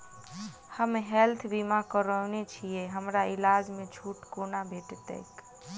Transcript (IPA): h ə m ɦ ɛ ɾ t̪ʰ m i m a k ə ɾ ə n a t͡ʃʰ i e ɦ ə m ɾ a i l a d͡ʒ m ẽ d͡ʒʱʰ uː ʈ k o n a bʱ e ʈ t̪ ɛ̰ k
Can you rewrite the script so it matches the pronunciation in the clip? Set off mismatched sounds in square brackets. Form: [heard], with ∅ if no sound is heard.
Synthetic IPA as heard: h ə m ɦ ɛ [l] t̪ʰ [b] i m a k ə ɾ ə n [e] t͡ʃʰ i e ɦ ə m ɾ a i l a d͡ʒ m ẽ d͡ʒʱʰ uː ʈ k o n a bʱ e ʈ t̪ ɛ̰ k